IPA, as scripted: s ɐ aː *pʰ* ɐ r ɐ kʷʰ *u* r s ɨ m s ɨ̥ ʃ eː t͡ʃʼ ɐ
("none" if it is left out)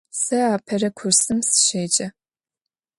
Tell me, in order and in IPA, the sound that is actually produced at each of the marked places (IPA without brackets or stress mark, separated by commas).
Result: pʰ, ʊ